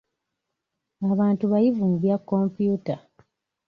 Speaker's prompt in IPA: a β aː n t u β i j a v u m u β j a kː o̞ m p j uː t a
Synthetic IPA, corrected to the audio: a β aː n t u β a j i v u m u β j a kː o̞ m p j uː t a